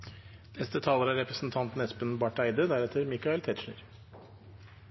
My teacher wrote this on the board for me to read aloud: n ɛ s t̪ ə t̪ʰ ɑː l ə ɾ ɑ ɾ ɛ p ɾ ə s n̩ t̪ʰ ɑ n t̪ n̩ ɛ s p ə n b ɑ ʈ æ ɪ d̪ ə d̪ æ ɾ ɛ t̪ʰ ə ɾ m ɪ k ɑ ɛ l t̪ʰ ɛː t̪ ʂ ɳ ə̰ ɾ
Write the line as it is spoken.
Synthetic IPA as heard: n ɛ s t̪ ə t̪ʰ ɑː l ə ɾ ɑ ɾ ɛ p ɾ ə s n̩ t̪ʰ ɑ n t̪ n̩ ɛ s p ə n b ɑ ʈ æ ɪ d̪ ə d̪ æ ɾ ɛ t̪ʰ ə ɾ m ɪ k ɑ ɛ l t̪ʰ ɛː t̪ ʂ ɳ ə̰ ɾ